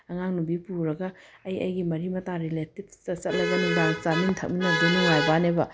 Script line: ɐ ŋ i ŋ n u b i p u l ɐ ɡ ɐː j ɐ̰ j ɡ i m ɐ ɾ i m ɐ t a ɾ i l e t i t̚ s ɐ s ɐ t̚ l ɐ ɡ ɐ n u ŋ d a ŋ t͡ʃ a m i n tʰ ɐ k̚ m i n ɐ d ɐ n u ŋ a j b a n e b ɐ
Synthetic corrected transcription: ɐ ŋ a ŋ n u b i p u ɾ ɐ ɡ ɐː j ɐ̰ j ɡ i m ɐ ɾ i m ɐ t a ɾ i l e t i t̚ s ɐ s ɐ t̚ l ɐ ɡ ɐ n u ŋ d a ŋ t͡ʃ a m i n tʰ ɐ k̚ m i n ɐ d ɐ n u ŋ a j b a n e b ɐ